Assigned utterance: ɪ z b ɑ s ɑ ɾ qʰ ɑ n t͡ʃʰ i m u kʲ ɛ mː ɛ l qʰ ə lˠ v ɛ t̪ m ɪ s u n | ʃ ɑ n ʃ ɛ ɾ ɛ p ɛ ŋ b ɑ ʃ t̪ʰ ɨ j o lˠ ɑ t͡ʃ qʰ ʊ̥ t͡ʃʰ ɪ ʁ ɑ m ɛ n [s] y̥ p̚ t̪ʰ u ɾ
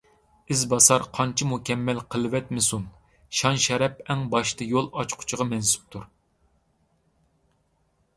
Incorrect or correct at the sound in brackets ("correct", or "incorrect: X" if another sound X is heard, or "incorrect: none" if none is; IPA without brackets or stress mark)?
correct